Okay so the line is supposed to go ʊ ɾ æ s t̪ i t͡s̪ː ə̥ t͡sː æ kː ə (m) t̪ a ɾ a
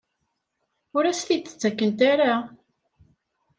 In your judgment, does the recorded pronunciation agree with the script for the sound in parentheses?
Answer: no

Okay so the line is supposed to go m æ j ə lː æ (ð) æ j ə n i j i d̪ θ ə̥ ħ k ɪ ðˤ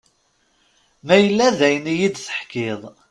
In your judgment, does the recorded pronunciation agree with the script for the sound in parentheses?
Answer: yes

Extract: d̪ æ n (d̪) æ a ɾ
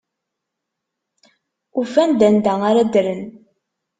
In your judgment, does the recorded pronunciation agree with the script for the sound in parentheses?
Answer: yes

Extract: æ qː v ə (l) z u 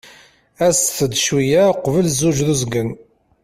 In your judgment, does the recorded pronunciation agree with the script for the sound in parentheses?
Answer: yes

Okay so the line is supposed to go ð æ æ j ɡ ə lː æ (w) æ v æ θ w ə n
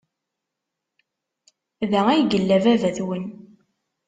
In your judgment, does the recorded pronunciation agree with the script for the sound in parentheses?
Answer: no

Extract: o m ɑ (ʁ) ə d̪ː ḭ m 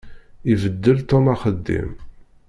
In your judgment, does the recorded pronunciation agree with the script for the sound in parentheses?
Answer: no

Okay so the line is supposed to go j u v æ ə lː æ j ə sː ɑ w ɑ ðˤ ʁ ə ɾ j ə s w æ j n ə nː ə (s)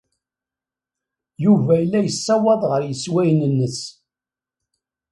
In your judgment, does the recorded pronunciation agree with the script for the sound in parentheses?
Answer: yes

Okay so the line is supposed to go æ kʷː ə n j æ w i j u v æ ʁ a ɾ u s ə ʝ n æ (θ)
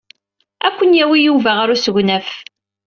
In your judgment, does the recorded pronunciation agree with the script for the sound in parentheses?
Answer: no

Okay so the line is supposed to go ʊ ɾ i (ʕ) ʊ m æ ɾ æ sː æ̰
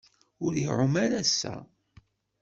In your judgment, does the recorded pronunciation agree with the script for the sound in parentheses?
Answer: yes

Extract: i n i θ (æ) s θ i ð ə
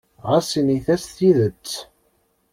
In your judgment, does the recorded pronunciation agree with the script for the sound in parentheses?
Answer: yes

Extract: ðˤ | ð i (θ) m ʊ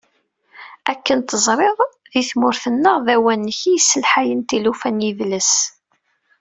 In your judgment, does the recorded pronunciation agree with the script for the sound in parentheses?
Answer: yes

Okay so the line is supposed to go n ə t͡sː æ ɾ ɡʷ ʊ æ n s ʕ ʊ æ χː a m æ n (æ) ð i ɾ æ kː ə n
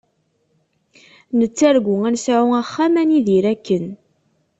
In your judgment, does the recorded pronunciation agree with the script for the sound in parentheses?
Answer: no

